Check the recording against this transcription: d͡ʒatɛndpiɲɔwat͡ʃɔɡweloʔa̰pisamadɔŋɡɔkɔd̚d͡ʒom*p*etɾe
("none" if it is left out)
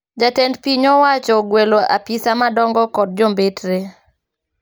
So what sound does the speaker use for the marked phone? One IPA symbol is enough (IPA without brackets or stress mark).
b